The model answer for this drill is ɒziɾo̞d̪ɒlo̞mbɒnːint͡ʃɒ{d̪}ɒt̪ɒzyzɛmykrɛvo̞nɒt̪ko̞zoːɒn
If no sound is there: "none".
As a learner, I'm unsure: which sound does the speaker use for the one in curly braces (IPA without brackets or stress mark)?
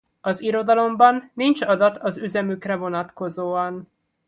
d̪